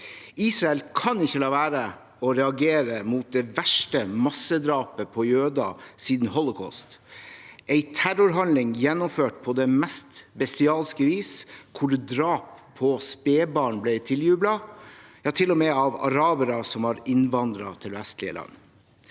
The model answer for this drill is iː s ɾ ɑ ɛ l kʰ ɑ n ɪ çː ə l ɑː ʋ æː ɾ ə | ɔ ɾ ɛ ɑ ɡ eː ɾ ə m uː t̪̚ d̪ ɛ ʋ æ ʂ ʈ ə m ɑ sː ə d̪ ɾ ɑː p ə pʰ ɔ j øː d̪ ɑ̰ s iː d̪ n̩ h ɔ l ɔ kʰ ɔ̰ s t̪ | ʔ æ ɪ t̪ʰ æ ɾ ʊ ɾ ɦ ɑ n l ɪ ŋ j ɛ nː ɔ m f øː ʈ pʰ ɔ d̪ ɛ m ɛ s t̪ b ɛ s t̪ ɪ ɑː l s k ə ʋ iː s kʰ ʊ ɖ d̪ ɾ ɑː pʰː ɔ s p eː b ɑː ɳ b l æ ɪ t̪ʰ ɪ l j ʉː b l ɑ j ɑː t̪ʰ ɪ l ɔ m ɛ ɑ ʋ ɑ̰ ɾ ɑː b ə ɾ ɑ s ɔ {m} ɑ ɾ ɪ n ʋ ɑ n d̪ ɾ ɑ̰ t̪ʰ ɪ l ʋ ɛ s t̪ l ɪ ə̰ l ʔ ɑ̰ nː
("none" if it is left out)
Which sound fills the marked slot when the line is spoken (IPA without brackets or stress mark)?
m